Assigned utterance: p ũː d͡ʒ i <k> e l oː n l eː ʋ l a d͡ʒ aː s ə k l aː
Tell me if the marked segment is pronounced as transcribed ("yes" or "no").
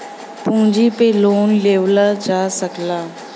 no